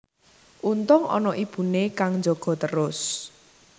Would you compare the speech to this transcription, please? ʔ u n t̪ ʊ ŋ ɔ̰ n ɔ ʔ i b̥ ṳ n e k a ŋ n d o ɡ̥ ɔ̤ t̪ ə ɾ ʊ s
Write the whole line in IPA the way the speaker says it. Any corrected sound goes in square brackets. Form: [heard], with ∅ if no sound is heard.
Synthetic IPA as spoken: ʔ u n t̪ ʊ ŋ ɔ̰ n ɔ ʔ i b̥ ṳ n e k a ŋ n [d͡ʒ] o ɡ̥ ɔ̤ t̪ ə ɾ ʊ s